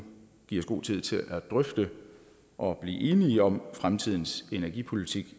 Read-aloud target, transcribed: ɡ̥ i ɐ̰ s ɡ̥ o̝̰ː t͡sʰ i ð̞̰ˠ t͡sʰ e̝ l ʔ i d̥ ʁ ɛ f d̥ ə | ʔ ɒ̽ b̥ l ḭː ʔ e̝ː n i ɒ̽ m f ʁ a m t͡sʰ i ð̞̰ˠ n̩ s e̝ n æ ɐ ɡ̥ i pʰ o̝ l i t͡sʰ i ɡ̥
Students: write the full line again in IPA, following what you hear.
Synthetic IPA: ɡ̥ i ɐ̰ s ɡ̥ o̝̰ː t͡sʰ i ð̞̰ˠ t͡sʰ e̝ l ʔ æ d̥ ʁ œ f d̥ ə | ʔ ɒ̽ b̥ l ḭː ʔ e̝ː n i ɒ̽ m f ʁ a m t͡sʰ i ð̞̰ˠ n̩ s e̝ n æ ɐ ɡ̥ i pʰ o̝ l i t͡sʰ i ɡ̥